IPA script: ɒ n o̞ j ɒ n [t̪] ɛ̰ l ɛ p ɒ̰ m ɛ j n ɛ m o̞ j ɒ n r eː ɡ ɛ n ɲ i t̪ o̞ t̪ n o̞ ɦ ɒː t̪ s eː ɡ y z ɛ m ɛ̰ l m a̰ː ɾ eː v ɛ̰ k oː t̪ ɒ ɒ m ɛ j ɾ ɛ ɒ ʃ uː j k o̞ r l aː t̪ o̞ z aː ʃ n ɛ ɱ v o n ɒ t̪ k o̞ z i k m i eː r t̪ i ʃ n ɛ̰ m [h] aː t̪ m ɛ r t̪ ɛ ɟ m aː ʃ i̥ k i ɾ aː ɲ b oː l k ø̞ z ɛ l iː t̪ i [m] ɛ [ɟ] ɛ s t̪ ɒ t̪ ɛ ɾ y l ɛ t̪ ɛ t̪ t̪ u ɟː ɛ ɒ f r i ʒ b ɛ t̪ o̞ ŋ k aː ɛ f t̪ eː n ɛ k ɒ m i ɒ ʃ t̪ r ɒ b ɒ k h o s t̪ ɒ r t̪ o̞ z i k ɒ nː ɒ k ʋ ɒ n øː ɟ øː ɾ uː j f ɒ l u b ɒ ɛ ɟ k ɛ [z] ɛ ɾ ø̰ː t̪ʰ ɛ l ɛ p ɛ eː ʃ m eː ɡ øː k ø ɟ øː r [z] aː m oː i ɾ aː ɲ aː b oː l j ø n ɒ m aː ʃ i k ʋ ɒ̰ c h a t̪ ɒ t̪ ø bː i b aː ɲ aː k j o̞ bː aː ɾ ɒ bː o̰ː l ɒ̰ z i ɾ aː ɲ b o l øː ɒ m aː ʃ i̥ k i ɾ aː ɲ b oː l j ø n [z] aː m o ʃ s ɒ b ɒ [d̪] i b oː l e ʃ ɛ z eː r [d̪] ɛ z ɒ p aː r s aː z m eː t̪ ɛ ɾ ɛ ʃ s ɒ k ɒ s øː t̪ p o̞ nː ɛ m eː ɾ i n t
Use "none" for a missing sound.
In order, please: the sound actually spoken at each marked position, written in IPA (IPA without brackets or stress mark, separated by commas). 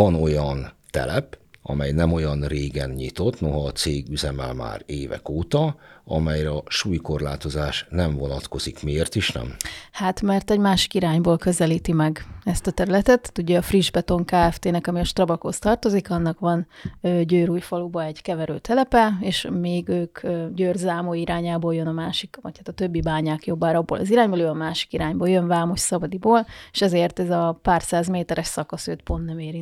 t̪, h, m, ɡ, v, z, v, d̪, t̪